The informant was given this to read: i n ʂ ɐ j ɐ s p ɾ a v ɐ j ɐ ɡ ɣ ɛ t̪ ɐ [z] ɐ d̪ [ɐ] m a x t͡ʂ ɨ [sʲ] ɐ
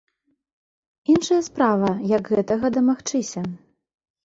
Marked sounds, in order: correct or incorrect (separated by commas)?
incorrect, correct, correct